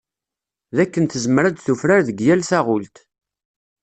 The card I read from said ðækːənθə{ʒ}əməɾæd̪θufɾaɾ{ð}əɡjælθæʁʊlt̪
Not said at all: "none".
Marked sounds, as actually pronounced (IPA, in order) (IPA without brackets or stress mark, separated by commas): z, ð